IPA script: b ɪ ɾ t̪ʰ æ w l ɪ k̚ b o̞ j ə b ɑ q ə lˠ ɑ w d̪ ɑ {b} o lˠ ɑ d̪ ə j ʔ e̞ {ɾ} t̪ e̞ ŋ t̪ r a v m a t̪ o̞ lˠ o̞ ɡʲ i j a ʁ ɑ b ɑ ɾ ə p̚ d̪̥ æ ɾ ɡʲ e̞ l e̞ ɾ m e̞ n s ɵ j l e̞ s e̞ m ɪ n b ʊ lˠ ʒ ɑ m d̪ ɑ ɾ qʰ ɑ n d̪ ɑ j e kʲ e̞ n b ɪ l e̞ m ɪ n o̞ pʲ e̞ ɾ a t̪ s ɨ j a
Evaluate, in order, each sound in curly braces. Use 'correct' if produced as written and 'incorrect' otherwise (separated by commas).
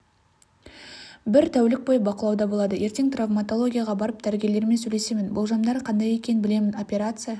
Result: correct, correct